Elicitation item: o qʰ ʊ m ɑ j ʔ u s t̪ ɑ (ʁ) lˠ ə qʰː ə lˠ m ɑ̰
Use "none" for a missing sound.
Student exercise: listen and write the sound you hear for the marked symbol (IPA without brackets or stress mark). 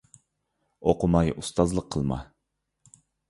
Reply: z